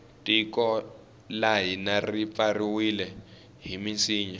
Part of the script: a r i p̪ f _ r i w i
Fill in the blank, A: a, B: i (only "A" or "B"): A